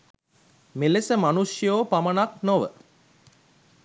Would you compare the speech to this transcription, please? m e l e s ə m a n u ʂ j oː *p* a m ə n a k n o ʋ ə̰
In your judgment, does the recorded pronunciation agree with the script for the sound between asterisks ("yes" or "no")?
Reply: yes